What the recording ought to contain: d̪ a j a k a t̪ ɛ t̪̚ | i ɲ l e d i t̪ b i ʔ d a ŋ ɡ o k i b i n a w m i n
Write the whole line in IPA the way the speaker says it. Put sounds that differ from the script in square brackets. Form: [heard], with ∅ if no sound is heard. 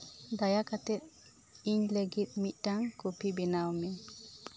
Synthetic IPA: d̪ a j a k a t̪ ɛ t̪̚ | i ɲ l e [ɡ] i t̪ [m] i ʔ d a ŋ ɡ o [p] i b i n a w m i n